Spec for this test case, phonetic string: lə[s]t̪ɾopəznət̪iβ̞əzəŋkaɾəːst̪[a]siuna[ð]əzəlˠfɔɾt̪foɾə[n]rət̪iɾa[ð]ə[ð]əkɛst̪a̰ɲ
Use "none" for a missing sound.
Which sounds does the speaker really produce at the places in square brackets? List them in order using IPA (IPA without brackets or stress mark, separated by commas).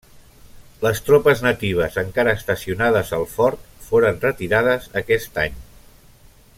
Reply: s, ə, ð, n, ð, z